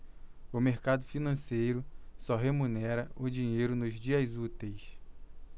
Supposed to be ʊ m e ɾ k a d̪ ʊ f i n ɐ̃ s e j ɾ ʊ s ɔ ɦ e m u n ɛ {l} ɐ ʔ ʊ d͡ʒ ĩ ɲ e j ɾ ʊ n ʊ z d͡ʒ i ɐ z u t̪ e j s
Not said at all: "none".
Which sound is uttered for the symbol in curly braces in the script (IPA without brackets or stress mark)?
ɾ